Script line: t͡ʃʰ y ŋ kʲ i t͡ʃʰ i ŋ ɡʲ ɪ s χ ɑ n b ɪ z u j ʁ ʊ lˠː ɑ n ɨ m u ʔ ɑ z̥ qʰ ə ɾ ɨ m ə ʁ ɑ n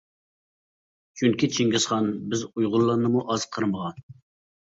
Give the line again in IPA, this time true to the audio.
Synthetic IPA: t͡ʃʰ y ŋ kʲ i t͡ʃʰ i ŋ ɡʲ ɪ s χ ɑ n b ɪ z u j ʁ ʊ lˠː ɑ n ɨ m u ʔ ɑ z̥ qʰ ə ɾ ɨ m ə ʁ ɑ n